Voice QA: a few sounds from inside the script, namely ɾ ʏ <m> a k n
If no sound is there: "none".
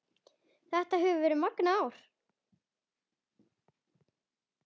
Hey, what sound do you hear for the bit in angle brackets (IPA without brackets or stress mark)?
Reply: m